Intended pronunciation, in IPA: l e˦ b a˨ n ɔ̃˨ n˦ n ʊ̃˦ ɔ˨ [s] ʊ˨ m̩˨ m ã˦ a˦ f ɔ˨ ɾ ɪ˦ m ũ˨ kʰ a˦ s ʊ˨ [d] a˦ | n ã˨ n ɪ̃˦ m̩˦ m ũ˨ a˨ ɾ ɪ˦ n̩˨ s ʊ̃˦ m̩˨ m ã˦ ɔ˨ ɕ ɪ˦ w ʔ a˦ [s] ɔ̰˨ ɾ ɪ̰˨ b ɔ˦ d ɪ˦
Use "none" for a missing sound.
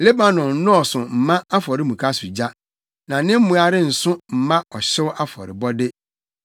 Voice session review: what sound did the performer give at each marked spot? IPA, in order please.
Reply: s, d͡ʑ, f

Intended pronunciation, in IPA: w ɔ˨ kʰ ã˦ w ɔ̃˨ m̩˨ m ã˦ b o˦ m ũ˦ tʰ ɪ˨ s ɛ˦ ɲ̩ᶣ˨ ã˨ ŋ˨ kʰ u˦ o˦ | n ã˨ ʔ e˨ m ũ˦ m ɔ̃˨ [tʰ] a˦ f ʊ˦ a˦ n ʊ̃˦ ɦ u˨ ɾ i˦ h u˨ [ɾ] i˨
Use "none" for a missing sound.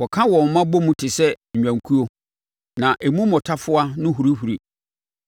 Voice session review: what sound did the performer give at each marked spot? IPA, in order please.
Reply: tʰ, ɾ

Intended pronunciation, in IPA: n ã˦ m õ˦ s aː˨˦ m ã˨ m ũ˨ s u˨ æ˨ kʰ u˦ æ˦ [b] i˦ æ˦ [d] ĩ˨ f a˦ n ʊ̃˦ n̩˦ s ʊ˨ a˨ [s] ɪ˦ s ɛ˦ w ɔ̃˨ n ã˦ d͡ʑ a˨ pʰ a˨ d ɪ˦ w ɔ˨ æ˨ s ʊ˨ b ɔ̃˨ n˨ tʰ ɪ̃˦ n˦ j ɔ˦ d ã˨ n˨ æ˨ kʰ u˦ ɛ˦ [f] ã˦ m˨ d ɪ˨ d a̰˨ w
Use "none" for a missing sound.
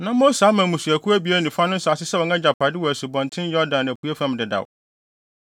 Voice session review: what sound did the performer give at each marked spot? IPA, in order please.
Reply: b, n, s, f

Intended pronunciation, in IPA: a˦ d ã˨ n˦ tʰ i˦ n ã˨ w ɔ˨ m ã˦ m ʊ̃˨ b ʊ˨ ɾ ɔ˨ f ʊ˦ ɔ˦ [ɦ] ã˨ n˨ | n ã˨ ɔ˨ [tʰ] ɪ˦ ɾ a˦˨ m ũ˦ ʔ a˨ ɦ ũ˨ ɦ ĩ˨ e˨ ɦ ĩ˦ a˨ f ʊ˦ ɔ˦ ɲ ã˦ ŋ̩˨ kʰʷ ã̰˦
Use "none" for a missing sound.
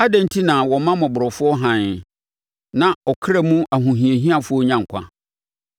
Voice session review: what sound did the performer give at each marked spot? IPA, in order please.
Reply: ɦ, kʰ

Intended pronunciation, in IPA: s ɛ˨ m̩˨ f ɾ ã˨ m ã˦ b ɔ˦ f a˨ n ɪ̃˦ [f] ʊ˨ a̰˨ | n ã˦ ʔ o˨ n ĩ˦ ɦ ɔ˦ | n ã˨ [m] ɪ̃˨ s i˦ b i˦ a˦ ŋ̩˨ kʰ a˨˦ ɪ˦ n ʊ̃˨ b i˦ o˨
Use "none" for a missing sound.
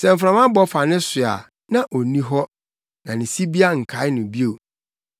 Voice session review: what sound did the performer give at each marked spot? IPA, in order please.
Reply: s, n

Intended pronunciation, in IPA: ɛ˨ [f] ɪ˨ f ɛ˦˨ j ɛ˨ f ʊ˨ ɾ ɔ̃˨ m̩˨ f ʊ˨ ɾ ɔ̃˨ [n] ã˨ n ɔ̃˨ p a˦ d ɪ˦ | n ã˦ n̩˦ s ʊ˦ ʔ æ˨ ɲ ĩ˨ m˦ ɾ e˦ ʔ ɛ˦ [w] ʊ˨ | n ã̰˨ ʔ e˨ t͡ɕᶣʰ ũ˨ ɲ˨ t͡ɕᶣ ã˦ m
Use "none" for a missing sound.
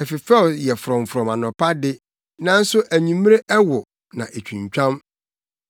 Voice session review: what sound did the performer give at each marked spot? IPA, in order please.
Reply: f, m, w

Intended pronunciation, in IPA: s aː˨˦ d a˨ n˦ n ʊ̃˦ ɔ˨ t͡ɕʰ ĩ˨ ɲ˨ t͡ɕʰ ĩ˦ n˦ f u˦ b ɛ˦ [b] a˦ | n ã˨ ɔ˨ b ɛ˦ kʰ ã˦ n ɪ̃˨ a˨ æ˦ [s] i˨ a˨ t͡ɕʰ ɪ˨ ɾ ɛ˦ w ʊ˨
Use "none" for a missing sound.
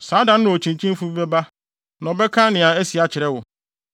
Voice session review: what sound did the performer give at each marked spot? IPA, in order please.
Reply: b, s

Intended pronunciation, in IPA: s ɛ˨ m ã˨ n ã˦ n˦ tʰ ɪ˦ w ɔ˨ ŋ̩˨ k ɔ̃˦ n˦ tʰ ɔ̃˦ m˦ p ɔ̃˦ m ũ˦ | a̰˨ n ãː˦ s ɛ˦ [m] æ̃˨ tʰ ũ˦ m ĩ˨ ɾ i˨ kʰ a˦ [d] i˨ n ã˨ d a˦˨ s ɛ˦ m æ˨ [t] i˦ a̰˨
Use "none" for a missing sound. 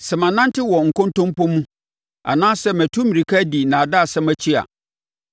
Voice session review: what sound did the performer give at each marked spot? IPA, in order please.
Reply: m, d, t͡ɕʰ

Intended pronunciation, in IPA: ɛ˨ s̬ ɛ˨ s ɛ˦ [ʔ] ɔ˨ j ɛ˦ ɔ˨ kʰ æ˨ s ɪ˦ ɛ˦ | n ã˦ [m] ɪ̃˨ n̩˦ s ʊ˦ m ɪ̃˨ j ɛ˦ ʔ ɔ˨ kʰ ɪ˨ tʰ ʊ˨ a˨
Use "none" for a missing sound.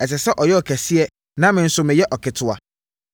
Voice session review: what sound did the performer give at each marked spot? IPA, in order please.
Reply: ʔ, m

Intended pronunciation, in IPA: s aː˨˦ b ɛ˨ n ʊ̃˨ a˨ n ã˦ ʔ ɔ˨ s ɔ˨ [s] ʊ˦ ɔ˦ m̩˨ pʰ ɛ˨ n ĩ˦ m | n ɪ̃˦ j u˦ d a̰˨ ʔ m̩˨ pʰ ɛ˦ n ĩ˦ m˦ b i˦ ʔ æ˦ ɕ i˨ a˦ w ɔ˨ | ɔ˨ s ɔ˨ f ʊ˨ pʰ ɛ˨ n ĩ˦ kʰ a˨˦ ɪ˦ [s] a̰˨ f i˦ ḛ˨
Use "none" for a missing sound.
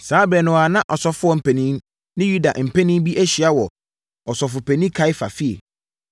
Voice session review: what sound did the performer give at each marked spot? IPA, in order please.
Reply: f, f

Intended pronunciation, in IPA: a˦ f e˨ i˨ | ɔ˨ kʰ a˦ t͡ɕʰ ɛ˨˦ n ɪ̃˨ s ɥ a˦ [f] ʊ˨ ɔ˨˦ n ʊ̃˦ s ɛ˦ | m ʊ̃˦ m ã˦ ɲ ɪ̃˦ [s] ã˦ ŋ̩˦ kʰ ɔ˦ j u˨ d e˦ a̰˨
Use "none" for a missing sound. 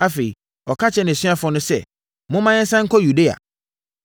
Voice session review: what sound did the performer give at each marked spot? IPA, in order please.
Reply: f, s

